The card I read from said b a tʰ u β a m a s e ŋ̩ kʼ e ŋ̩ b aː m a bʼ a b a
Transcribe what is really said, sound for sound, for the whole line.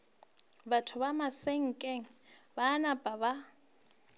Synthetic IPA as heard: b a tʰ ʊ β a m a s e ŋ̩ kʼ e ŋ̩ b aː n a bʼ a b a